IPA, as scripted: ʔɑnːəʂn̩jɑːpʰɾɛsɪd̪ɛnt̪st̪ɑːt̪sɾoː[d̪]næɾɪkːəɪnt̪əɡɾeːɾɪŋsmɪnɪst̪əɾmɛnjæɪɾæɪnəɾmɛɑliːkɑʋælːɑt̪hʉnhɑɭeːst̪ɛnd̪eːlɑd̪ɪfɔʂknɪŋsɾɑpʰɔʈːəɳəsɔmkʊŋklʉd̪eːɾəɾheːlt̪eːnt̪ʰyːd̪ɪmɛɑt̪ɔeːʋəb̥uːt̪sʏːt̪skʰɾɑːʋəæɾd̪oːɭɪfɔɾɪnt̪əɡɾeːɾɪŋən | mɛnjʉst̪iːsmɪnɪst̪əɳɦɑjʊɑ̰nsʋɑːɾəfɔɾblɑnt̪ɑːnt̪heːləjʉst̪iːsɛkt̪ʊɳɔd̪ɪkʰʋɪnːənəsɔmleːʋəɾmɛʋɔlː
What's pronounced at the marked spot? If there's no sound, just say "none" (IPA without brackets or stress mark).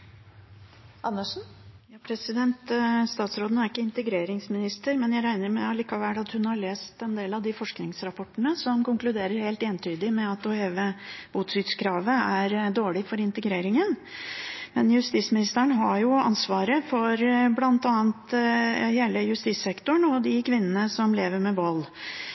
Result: d̪